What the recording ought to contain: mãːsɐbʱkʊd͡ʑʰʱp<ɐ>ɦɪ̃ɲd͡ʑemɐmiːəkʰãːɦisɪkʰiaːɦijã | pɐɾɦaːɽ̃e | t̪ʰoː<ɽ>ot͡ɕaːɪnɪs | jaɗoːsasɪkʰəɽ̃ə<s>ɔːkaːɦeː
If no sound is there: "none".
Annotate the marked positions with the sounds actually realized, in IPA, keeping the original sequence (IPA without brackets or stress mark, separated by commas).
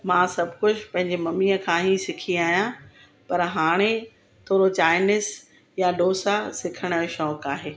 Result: ɐ̃, ɾ, ʃ